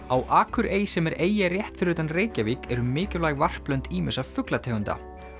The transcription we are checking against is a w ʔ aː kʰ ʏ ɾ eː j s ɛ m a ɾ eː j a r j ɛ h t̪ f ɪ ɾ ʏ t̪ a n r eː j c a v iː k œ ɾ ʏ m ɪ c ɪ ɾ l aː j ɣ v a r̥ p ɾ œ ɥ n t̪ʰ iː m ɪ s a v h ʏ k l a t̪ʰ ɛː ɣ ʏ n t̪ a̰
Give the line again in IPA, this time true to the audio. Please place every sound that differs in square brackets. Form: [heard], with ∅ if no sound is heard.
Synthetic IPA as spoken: a w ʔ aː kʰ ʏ ɾ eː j s ɛ m [ɛ] ɾ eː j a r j ɛ h t̪ f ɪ ɾ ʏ t̪ a n r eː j c a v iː k [ɛ] ɾ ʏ m [ɪː] c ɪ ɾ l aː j ɣ v a r̥ p [l] œ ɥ n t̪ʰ iː m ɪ s a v [f] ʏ k l a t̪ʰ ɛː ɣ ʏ n t̪ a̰